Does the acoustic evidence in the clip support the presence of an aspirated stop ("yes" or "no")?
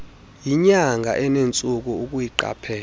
yes